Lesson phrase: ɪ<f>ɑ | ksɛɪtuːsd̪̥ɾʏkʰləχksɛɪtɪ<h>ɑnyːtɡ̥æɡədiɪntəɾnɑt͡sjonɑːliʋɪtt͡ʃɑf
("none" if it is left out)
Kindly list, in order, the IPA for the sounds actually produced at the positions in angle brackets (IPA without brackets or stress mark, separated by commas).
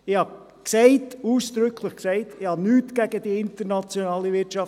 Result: h, h